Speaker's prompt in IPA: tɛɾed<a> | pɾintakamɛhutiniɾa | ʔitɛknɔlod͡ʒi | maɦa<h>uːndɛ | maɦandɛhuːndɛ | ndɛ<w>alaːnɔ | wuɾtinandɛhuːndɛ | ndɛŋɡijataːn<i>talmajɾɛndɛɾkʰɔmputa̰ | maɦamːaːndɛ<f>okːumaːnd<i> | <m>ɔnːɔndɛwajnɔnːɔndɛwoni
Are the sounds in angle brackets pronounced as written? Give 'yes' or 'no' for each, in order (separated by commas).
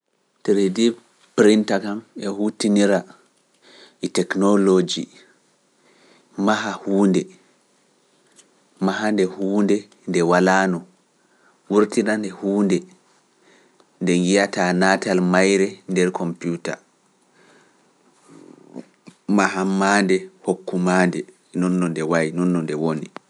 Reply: no, yes, yes, no, no, no, no